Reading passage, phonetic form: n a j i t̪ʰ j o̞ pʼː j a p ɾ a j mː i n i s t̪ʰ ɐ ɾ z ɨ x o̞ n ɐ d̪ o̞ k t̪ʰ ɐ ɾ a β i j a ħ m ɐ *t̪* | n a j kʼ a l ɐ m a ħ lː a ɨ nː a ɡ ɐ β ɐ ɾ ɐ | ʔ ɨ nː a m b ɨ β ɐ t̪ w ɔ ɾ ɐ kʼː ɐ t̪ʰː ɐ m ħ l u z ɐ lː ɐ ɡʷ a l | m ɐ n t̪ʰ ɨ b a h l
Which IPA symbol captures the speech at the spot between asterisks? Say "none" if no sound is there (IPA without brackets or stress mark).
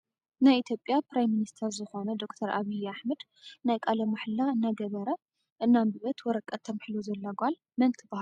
d̪